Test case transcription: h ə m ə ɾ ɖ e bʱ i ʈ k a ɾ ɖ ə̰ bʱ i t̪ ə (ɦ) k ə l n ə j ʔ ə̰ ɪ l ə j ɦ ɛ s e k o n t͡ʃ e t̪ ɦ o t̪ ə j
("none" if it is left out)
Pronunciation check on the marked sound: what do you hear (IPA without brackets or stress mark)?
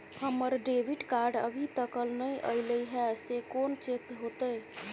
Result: none